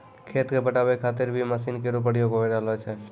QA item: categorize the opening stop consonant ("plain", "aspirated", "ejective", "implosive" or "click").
aspirated